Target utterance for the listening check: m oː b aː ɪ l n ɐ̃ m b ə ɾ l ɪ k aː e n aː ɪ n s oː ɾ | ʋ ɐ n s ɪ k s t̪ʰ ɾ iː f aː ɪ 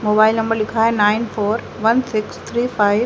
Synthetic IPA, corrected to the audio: m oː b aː ɪ l n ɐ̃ m b ə ɾ l ɪ kʰ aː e n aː ɪ n f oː ɾ | ʋ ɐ n s ɪ k s t̪ʰ ɾ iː f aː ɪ